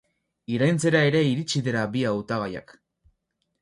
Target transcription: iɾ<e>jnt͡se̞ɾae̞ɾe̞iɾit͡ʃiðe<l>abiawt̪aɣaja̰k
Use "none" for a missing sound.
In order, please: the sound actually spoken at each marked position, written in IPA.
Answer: a, ɾ

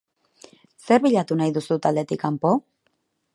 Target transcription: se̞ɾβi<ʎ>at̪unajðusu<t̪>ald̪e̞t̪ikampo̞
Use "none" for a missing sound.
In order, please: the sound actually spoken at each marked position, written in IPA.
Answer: ʎ, t̪

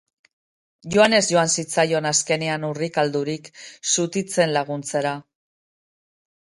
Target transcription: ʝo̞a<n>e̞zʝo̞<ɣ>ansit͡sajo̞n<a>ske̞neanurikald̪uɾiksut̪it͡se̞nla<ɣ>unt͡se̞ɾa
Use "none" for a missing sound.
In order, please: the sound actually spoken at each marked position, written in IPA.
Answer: n, none, a, ɣ

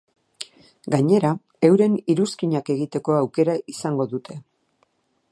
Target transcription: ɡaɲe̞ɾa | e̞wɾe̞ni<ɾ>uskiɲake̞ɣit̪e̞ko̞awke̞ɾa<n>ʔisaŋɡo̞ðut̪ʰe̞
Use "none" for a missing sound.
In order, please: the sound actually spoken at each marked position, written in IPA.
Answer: ɾ, none

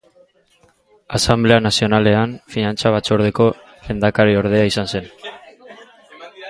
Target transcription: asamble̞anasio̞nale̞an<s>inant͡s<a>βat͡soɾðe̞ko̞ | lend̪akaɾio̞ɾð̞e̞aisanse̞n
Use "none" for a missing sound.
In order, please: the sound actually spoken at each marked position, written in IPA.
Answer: f, a

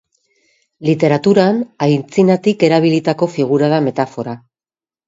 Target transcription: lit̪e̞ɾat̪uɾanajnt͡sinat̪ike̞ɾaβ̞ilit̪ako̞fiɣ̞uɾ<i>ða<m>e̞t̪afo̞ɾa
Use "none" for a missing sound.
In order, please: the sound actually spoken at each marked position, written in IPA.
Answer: a, m

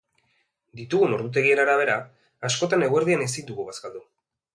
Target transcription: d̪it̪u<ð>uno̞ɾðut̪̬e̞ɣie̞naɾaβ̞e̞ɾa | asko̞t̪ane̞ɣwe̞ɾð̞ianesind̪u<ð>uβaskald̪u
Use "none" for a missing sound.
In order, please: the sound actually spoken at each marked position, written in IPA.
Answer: ɣ, ɣ

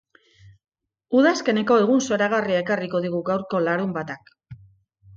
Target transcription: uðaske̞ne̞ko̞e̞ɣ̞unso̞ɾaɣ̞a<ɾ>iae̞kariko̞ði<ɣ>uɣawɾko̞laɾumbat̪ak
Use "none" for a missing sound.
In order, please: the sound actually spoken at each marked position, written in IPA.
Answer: r, ɣ

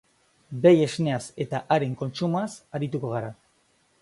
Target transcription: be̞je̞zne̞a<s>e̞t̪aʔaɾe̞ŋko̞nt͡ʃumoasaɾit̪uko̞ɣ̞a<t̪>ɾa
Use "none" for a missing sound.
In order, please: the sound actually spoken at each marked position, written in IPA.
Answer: s, none

